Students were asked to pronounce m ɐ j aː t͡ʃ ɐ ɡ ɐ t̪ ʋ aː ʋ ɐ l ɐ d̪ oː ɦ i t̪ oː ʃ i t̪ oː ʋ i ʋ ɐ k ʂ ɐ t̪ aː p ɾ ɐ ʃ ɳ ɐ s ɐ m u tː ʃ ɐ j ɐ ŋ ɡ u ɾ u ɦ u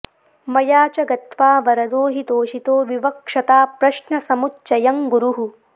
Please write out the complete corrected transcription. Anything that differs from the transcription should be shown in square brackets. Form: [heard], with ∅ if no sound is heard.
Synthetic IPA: m ɐ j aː t͡ʃ ɐ ɡ ɐ t̪ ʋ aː ʋ ɐ [ɾ] ɐ d̪ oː ɦ i t̪ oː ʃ i t̪ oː ʋ i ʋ ɐ k ʂ ɐ t̪ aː p ɾ ɐ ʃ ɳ ɐ s ɐ m u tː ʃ ɐ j ɐ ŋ ɡ u ɾ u ɦ u